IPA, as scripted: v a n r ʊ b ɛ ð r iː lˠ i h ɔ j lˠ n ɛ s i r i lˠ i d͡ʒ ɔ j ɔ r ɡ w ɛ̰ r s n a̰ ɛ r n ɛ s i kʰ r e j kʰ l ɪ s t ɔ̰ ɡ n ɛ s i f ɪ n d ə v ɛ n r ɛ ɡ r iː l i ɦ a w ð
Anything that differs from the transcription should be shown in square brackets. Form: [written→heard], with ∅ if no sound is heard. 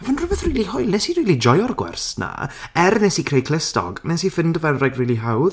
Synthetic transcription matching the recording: v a n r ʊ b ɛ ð r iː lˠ i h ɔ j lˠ n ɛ s i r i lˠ i d͡ʒ ɔ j ɔ r ɡ w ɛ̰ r s n a̰ ɛ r n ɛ s i kʰ r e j kʰ l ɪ s t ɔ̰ ɡ n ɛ s i f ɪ n d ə v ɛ n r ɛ ɡ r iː l i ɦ a w ð

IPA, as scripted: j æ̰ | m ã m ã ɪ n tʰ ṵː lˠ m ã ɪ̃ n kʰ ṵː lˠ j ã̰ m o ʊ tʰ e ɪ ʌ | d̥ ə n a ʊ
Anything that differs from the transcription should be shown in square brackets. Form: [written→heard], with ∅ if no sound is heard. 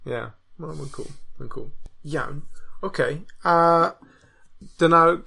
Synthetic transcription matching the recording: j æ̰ | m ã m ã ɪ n [tʰ→kʰ] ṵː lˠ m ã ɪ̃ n kʰ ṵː lˠ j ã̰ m o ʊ [tʰ→kʰ] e ɪ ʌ | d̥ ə n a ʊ

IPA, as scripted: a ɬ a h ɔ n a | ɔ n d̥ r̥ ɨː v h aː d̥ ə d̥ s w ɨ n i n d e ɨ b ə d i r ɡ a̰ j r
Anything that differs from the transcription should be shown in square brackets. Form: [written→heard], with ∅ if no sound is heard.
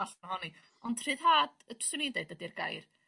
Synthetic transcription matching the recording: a ɬ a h ɔ n [a→i] | ɔ n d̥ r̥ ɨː [v→ð] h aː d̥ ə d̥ s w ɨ n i n d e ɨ [b→d] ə d i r ɡ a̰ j r

